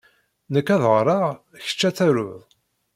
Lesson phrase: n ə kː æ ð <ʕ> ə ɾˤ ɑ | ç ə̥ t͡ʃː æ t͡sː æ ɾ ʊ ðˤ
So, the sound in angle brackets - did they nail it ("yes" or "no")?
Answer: no